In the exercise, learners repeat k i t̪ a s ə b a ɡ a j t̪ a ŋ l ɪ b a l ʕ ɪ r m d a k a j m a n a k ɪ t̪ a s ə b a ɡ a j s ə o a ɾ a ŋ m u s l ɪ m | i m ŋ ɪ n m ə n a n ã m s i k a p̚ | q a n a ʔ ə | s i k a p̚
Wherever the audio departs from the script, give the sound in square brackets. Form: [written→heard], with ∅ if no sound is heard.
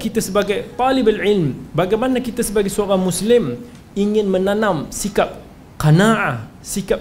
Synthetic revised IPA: k i t̪ a s ə b a ɡ a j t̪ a [ŋ→∅] l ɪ b a l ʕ ɪ [r→l] m [d→b] a [k→ɡ] a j m a n a k [ɪ→i] t̪ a s ə b a ɡ a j s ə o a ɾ a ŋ m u s l ɪ m | i [m→∅] ŋ ɪ n m ə n a n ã m s i k a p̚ | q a n a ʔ [ə→a] | s i k a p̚